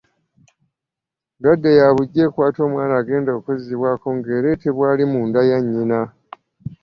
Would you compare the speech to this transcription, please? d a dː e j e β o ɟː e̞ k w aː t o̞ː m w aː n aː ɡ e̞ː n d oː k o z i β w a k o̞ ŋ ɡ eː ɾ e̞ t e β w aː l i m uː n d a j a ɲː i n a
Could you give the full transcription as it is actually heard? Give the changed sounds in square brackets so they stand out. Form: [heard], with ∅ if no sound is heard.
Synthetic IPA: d a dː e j [a] β [u] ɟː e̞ k w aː t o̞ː m w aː n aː ɡ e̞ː n d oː k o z i β w a k o̞ ŋ ɡ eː ɾ e̞ t e β w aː l i m uː n d a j a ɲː i n a